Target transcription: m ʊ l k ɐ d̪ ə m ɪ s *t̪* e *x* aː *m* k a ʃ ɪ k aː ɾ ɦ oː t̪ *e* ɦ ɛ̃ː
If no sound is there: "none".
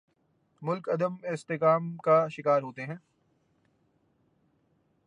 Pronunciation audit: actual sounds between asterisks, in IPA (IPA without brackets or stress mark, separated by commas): t̪, k, m, e